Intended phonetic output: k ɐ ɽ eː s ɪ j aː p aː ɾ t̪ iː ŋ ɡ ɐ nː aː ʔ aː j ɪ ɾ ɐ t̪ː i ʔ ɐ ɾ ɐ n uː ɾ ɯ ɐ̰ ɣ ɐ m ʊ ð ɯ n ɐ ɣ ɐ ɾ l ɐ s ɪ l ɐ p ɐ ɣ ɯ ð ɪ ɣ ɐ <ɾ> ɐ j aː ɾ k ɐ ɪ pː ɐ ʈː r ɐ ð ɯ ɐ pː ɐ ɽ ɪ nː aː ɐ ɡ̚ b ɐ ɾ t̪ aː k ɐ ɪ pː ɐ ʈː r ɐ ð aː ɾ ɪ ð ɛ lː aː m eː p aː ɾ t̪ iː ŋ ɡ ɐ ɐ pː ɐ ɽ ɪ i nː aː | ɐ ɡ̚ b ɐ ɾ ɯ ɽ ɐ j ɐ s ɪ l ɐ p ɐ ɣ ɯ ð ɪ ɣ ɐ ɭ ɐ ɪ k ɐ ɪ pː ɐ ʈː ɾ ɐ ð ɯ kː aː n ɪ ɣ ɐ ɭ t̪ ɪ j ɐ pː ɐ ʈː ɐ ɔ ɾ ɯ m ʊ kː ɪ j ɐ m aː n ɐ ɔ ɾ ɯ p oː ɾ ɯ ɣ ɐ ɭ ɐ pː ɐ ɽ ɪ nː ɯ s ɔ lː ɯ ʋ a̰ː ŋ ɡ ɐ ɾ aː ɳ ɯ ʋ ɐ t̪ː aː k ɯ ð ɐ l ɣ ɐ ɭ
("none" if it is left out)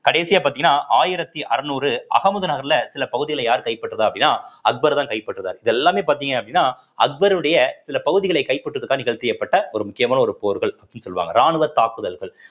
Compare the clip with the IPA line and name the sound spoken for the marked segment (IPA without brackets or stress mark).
ɭ